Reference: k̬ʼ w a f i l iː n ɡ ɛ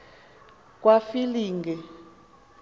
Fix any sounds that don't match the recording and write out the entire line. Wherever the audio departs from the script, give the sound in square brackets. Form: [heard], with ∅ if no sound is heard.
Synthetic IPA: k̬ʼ w a f i l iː [ŋ] ɡ ɛ